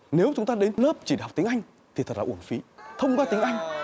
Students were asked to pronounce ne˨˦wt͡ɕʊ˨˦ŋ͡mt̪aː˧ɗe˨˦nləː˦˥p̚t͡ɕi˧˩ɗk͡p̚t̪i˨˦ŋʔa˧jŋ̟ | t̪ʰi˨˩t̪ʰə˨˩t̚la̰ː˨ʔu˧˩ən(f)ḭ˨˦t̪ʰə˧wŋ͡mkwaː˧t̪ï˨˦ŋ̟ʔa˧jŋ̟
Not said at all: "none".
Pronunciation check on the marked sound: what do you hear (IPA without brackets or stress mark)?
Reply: f